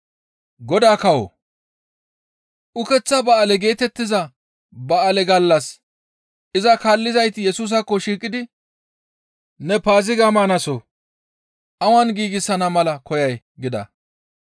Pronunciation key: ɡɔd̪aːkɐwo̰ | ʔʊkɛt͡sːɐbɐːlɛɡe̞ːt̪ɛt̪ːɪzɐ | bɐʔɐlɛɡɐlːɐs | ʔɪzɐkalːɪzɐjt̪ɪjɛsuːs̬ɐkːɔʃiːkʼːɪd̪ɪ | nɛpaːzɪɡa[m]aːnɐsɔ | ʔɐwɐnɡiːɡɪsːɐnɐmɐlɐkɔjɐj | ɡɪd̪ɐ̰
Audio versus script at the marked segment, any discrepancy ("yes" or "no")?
no